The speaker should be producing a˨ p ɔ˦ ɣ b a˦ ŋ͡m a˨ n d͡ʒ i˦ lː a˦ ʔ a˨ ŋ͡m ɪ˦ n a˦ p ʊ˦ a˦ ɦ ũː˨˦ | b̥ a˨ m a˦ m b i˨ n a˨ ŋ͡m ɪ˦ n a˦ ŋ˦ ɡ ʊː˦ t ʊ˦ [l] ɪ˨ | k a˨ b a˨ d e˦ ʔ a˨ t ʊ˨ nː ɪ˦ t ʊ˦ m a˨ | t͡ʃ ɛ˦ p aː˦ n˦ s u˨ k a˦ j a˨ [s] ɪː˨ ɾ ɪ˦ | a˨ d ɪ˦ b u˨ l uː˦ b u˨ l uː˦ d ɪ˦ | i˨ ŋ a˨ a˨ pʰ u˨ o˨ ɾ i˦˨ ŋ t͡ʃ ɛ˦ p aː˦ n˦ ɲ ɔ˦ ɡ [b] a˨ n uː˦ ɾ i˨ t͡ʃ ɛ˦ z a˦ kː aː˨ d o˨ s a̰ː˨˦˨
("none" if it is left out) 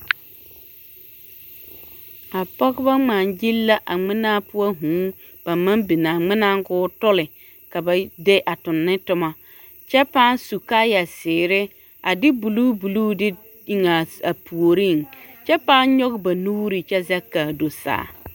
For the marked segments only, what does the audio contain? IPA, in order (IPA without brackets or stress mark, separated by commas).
l, s, b